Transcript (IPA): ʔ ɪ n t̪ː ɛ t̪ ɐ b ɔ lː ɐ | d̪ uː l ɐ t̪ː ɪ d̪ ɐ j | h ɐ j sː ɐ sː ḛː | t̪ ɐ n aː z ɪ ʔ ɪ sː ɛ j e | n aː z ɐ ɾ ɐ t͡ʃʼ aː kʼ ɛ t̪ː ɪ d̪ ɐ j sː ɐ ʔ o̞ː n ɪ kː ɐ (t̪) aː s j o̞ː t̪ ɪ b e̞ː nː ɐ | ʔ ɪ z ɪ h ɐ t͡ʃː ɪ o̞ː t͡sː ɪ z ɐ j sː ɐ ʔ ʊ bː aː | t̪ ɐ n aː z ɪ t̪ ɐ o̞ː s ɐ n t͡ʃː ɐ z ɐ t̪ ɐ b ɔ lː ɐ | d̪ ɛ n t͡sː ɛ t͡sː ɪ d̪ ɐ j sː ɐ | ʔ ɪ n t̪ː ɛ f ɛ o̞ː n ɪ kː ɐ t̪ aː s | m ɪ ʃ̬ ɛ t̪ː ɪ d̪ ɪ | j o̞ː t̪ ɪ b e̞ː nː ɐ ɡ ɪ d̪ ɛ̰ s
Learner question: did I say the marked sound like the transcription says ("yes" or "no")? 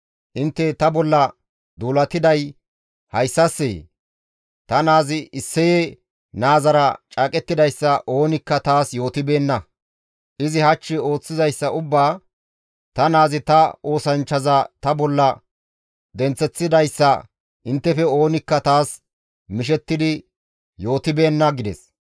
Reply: yes